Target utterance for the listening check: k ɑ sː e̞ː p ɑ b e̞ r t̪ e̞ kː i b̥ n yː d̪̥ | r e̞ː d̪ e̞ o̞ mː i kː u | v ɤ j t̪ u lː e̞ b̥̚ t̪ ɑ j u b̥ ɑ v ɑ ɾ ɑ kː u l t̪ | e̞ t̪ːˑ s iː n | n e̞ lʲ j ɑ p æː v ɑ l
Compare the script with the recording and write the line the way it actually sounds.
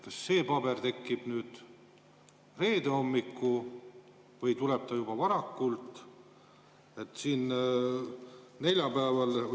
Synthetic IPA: k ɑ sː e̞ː p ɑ b e̞ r t̪ e̞ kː i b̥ n yː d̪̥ | r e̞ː d̪ e̞ o̞ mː i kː u | v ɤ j t̪ u l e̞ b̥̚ t̪ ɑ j u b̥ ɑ v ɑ ɾ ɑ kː u l t̪ | e̞ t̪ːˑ s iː n | n e̞ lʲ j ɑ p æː v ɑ l